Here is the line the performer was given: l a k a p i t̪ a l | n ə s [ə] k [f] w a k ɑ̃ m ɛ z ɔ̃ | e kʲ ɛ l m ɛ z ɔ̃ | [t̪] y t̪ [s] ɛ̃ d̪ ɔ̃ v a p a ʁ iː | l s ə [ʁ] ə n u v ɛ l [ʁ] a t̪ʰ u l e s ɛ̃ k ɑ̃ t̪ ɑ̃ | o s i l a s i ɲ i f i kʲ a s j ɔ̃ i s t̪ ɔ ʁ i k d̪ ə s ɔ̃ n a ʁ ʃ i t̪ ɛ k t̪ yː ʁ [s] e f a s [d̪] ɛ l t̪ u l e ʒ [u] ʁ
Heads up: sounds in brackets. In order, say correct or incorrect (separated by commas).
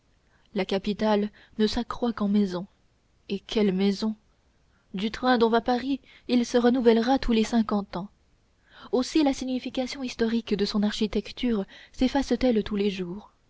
incorrect, incorrect, incorrect, incorrect, correct, correct, correct, incorrect, incorrect